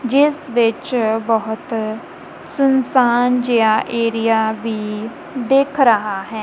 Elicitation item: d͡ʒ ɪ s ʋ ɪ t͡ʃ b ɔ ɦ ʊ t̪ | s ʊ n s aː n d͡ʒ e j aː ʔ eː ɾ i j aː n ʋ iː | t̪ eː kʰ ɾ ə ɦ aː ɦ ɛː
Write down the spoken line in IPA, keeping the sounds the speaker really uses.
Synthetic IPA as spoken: d͡ʒ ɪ s ʋ ɪ t͡ʃ b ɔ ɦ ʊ t̪ | s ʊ n s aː n d͡ʒ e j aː ʔ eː ɾ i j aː ʋ iː | d̪ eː kʰ ɾ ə ɦ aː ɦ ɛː